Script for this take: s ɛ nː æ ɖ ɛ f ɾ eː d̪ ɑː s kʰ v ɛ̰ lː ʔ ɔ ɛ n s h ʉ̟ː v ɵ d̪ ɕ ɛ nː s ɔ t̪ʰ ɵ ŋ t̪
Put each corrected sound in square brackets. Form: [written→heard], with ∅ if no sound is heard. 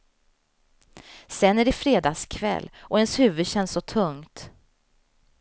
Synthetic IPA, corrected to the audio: s ɛ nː æ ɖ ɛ f ɾ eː d̪ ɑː s kʰ v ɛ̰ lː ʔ ɔ ɛ n s h ʉ̟ː v ɵ d̪ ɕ ɛ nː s ɔ t̪ʰ ɵ ŋ t̪